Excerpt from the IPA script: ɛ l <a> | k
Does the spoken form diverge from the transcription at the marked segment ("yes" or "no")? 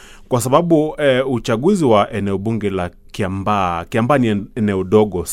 no